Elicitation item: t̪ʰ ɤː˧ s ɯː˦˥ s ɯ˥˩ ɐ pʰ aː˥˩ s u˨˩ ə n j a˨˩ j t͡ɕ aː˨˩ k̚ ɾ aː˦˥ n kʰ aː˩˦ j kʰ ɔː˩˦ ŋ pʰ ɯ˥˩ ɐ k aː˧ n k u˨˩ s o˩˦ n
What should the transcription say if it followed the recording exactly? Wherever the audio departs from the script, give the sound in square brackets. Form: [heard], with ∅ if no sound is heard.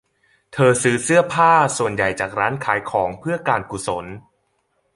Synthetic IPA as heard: t̪ʰ ɤː˧ s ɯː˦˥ s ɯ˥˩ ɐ pʰ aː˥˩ s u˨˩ ə n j a˨˩ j t͡ɕ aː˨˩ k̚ ɾ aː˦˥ n kʰ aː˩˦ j kʰ ɔː˩˦ ŋ pʰ ɯ˥˩ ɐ k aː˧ n k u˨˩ s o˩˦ n